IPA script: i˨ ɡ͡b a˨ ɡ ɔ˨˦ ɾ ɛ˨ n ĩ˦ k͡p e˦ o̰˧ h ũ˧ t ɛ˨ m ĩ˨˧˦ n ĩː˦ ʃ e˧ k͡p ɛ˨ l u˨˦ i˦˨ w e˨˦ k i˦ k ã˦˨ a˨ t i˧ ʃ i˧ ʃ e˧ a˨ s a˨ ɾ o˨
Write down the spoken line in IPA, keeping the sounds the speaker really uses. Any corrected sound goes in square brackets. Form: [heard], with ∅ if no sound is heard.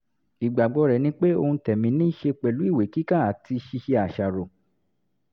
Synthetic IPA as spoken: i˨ ɡ͡b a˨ [ɡ͡b] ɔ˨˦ ɾ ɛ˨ n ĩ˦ k͡p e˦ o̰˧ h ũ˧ t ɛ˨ m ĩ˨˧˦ n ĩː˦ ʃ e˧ k͡p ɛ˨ l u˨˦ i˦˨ w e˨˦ k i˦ k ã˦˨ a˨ t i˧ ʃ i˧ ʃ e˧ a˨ [ʃ] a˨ ɾ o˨